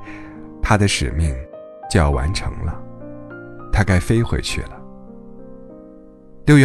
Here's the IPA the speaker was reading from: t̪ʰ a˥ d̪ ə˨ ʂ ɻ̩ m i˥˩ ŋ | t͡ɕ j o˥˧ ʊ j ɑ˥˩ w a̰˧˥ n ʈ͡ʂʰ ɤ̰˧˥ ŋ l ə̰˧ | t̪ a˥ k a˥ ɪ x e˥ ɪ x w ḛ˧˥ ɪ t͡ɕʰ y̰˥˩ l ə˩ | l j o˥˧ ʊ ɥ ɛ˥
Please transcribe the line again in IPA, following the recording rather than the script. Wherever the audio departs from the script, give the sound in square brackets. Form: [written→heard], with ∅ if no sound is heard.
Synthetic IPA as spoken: t̪ʰ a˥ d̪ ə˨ ʂ ɻ̩ m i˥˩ ŋ | t͡ɕ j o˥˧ ʊ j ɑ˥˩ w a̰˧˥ n ʈ͡ʂʰ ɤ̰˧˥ ŋ l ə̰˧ | [t̪→t̪ʰ] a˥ k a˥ ɪ [x→f] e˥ ɪ x w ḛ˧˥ ɪ t͡ɕʰ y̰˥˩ l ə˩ | l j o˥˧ ʊ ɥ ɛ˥